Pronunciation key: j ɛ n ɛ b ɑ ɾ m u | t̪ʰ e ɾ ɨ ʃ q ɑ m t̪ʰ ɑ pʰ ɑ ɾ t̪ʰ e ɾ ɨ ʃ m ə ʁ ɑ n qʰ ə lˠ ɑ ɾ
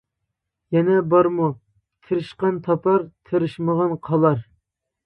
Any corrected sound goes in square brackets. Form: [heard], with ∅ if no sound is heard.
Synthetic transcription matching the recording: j ɛ n ɛ b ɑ ɾ m u | t̪ʰ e ɾ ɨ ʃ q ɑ [n] t̪ʰ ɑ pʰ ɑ ɾ t̪ʰ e ɾ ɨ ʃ m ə ʁ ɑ n qʰ [ɑ] lˠ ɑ ɾ